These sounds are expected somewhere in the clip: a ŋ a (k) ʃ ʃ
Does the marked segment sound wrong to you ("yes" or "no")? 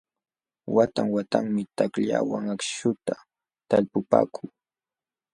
no